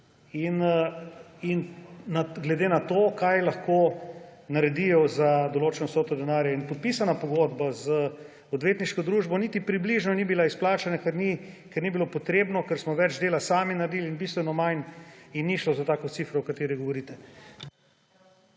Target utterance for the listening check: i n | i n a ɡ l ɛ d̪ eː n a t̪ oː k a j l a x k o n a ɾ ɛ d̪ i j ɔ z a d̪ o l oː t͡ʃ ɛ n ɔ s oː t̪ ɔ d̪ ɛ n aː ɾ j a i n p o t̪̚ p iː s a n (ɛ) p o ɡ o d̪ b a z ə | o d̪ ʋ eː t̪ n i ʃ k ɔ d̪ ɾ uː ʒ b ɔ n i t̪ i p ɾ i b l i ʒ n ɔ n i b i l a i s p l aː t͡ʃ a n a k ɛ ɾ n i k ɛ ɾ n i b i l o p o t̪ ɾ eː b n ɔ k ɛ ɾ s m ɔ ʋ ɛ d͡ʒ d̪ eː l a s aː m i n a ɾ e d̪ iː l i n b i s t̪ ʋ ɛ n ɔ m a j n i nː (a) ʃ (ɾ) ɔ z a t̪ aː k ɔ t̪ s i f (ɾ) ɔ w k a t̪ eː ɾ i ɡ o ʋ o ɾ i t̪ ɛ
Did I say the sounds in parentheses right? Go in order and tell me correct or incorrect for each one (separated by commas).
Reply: incorrect, incorrect, incorrect, correct